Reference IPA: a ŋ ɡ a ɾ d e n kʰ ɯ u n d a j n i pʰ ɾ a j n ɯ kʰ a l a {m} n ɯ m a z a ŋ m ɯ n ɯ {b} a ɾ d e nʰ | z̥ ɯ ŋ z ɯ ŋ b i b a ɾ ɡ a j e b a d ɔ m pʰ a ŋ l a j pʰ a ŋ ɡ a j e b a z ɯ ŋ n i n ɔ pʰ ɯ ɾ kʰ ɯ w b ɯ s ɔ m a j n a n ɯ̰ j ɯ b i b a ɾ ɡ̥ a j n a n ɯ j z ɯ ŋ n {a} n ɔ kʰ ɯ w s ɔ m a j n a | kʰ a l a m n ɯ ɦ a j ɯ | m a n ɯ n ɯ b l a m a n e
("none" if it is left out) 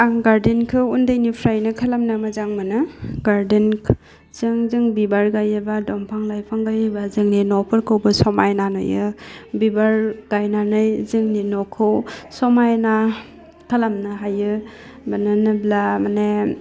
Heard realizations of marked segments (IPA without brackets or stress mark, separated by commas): m, ɡ, i